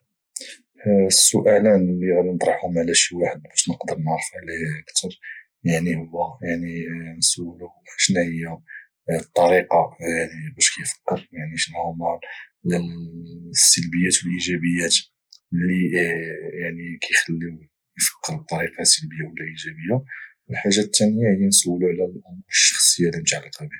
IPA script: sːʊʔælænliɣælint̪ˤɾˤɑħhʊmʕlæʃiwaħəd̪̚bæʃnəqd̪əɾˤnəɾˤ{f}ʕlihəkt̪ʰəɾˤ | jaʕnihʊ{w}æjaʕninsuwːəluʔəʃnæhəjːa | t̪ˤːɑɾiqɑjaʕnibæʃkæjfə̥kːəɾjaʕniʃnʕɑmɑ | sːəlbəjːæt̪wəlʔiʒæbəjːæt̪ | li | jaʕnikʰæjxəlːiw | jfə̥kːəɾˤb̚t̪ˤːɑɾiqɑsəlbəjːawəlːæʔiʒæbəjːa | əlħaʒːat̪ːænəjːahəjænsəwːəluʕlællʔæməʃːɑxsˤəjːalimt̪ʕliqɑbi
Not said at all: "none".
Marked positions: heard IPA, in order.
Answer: f, wː

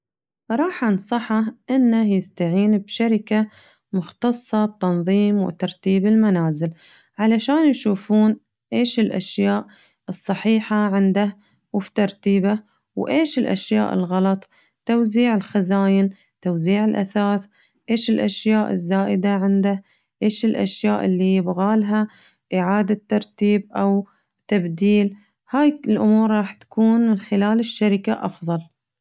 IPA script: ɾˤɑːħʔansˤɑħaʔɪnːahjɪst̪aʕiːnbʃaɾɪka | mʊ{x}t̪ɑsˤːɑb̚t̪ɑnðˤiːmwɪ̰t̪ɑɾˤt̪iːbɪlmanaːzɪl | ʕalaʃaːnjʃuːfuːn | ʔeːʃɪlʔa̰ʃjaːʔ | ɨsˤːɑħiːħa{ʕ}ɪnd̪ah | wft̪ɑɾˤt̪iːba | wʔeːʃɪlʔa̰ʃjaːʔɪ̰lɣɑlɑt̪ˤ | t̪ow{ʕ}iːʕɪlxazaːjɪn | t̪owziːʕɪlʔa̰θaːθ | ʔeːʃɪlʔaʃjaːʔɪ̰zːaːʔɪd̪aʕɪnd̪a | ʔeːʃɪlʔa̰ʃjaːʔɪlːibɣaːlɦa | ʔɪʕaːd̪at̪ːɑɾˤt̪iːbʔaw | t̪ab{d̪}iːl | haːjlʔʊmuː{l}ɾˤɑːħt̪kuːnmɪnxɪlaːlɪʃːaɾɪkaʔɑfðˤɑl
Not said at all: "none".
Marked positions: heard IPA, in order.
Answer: x, ʕ, z, d̪, ɾ

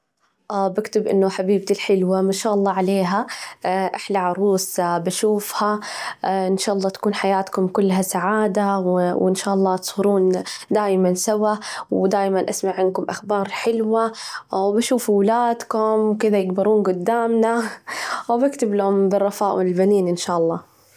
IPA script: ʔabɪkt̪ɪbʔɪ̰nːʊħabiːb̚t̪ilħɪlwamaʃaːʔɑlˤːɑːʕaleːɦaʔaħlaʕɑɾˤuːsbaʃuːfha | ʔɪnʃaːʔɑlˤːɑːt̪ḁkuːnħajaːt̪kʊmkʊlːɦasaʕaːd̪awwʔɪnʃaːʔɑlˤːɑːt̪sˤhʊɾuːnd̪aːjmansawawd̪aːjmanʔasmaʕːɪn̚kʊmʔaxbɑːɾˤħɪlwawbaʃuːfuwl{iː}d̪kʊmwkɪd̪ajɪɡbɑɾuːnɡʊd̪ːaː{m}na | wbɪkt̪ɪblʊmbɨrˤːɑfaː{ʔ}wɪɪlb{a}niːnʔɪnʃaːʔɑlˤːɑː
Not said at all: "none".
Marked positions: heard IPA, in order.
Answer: aː, m, ʔ, a

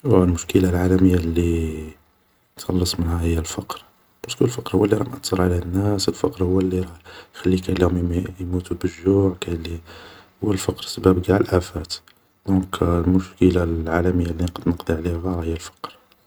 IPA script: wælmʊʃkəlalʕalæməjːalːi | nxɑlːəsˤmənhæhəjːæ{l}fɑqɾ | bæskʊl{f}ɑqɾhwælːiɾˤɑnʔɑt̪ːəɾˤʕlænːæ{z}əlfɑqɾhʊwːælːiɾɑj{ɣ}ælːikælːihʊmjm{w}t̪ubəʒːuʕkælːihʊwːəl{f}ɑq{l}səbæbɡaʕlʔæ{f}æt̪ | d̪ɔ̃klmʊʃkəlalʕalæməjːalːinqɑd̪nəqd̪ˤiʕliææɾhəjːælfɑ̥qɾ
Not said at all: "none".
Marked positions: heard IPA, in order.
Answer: l, f, s, x, u, f, ɾ, f

